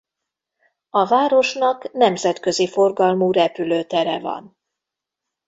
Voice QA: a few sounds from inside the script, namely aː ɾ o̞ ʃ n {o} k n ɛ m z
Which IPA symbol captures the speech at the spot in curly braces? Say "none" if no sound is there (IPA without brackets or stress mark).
ɒ